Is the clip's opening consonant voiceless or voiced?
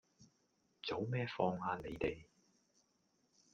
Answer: voiceless